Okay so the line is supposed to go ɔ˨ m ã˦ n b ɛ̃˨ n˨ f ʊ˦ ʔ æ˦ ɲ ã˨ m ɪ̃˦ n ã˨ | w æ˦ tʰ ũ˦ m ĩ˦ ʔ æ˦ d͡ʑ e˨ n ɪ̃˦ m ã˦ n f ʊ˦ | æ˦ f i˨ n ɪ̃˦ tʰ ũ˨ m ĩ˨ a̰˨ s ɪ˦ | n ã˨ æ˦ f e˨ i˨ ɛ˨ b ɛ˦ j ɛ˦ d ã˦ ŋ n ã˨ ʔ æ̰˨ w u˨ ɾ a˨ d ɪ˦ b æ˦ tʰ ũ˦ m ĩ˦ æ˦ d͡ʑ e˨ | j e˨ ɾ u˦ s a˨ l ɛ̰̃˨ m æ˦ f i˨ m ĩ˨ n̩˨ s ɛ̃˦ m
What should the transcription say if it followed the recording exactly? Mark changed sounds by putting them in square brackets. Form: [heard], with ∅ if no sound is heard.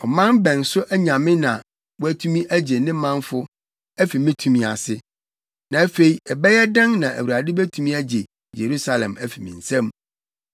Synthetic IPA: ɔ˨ m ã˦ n b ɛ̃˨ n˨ [s] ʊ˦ ʔ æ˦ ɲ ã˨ m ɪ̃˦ n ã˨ | w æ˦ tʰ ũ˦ m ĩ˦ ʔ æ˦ d͡ʑ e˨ n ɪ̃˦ m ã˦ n f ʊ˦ | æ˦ f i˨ [m] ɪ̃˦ tʰ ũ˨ m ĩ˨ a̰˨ s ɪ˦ | n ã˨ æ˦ f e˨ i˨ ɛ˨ b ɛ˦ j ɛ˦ d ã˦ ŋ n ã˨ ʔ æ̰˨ w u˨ ɾ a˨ d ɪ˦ b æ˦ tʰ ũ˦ m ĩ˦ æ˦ d͡ʑ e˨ | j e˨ ɾ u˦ s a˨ l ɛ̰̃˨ m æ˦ f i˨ m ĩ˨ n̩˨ s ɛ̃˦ m